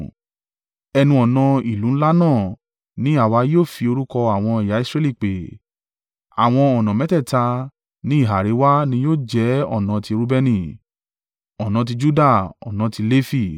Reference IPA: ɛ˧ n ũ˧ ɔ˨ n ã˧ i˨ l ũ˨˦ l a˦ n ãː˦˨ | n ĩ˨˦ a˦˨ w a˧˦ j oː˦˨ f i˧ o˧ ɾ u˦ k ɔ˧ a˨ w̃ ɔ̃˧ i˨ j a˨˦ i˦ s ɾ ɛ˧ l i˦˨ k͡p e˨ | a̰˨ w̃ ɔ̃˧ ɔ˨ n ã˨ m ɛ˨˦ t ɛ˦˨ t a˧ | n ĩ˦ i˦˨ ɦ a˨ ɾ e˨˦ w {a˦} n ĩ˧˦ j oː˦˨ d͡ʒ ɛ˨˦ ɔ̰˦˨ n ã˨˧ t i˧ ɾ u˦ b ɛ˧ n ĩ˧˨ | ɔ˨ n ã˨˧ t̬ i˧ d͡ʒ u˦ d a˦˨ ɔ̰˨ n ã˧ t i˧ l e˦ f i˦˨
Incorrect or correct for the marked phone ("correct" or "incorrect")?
correct